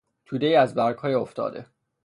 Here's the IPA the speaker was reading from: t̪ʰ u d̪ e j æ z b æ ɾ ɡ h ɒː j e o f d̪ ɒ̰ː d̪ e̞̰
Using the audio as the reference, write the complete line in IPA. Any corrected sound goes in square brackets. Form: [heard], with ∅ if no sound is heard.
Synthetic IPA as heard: t̪ʰ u d̪ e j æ z b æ ɾ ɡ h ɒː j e o f [t̪] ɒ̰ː d̪ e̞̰